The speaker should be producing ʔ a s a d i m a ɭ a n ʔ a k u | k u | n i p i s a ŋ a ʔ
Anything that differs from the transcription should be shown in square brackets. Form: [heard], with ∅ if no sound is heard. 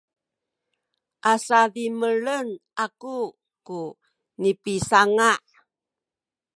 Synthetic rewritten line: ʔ a s a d i m [ə] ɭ [ə] n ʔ a k u | k u | n i p i s a ŋ a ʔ